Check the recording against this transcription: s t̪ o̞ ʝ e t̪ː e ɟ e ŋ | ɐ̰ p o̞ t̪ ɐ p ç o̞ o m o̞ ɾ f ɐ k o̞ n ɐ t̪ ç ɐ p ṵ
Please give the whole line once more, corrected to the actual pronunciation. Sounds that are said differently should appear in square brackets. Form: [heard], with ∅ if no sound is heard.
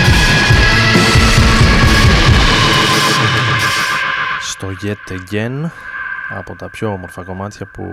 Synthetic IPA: s t̪ o̞ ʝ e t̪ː e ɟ e [n] | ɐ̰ p o̞ t̪ ɐ p ç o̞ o m o̞ ɾ f ɐ k o̞ [m] ɐ t̪ ç ɐ p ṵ